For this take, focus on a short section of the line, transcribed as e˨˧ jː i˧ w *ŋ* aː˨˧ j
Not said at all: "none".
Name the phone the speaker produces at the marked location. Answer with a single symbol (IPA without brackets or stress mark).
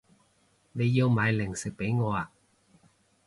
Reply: m